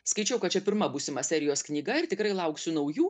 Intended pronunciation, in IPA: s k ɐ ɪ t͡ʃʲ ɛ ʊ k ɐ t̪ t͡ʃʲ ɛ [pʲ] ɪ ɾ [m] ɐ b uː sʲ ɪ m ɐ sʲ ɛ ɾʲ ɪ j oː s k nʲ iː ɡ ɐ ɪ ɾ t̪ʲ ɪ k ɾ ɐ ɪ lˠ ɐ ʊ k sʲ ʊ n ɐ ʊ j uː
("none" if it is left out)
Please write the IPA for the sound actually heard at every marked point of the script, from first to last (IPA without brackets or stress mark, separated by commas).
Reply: pʲ, m